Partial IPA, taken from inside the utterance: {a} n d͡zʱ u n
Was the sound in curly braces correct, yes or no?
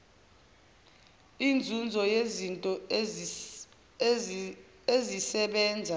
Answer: no